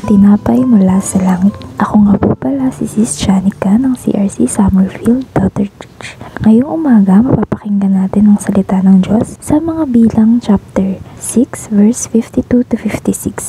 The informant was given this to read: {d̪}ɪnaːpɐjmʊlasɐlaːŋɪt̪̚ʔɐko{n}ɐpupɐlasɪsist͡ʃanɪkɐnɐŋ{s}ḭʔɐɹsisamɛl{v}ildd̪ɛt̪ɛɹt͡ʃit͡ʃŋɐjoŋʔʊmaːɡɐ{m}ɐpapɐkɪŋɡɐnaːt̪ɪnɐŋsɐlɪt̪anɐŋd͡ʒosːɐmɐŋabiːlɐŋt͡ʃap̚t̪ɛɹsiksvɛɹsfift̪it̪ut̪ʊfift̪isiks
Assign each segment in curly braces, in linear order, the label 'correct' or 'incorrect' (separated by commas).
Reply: incorrect, incorrect, correct, incorrect, correct